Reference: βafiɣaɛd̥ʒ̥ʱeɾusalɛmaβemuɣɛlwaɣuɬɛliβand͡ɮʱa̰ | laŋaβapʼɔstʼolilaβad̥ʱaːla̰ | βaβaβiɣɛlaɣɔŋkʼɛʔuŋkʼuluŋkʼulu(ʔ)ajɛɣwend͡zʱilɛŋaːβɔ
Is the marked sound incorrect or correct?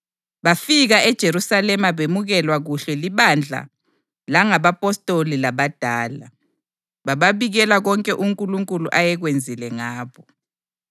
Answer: correct